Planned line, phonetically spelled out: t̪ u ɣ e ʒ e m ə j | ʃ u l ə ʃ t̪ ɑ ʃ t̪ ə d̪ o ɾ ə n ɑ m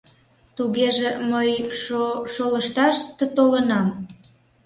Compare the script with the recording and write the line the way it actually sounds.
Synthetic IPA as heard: t̪ u ɣ e ʒ e m ə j | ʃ o l ə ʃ t̪ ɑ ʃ t̪ ə t̪ o l ə n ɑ m